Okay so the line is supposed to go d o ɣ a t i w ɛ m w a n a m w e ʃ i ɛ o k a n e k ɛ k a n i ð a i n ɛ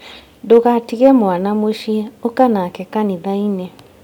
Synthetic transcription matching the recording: d o ɣ a t i ɣ ɛ m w a n a m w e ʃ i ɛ o k a n a k ɛ k a n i ð a i n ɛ